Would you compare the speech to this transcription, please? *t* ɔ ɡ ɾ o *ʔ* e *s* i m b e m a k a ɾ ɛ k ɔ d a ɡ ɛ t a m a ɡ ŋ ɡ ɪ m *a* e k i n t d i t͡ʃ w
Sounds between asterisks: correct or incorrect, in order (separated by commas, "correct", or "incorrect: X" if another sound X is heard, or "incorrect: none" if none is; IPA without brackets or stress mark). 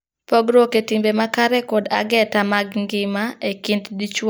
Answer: incorrect: p, incorrect: k, incorrect: t, correct